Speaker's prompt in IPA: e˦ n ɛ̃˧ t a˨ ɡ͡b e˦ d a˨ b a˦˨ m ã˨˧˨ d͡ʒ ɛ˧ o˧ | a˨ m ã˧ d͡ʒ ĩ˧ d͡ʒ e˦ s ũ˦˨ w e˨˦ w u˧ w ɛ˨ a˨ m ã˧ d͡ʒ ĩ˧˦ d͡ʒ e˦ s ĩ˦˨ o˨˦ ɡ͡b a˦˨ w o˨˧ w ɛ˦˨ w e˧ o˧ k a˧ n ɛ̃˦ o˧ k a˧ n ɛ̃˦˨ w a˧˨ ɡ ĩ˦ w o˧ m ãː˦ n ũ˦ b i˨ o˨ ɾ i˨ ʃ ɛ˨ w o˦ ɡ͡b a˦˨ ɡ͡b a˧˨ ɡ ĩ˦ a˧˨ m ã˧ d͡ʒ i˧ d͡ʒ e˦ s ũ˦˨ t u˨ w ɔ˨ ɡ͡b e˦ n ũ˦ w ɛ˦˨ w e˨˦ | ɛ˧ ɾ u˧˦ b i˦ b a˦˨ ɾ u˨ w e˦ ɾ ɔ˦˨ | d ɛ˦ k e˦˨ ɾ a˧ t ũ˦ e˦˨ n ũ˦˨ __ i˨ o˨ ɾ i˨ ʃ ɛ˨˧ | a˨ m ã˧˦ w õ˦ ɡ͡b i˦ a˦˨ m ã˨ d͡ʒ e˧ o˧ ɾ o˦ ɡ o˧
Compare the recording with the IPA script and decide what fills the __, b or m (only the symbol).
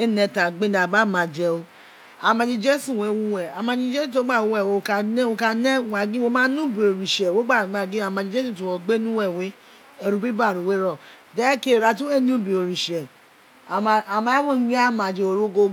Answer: b